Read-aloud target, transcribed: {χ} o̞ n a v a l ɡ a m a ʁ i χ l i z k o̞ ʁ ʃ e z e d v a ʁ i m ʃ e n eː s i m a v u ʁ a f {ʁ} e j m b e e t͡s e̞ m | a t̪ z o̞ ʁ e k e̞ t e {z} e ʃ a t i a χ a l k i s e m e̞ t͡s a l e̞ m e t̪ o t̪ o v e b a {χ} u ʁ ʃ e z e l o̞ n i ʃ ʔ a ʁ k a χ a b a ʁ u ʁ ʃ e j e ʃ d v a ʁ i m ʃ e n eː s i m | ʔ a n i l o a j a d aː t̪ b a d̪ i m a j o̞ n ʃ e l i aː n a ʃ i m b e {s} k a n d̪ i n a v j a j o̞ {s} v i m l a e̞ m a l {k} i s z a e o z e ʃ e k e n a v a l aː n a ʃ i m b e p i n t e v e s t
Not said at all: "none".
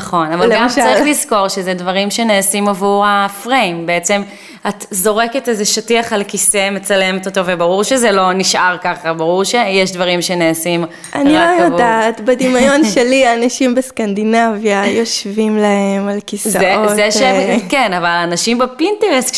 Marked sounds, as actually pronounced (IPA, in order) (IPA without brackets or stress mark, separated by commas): χ, ʁ, z, ʁ, s, ʃ, k